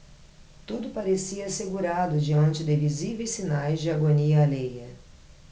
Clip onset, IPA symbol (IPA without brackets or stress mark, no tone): t̪